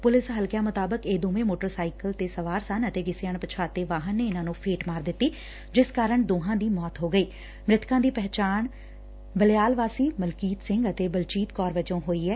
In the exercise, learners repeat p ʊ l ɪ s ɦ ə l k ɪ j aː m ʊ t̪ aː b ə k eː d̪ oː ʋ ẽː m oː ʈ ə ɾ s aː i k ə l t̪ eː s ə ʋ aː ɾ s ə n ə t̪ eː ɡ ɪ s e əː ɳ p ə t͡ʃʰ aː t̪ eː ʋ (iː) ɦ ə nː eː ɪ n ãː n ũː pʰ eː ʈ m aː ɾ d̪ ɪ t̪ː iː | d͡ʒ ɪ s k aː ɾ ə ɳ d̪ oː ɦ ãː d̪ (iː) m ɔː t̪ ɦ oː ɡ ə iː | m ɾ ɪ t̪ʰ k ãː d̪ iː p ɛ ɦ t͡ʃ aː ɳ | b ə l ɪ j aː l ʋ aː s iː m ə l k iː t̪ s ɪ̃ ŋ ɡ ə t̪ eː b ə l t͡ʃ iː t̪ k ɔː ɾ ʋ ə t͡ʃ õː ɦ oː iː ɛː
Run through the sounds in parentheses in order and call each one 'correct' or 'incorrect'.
incorrect: aː, correct

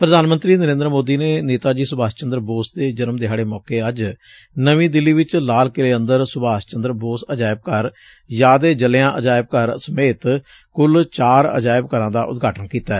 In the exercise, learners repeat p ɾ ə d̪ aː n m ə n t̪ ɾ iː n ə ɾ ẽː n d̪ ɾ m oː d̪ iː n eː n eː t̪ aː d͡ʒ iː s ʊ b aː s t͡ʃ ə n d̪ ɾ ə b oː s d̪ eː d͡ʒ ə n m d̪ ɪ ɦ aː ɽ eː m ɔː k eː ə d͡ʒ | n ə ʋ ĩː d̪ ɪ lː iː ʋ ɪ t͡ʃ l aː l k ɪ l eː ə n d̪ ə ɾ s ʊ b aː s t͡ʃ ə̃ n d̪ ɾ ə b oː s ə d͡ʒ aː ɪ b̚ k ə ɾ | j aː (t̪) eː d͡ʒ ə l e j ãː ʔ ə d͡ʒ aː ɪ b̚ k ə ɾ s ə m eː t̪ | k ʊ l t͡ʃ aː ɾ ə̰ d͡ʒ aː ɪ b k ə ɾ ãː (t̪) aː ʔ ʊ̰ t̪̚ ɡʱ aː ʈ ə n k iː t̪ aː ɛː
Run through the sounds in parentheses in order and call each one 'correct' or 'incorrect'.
incorrect: d̪, incorrect: d̪

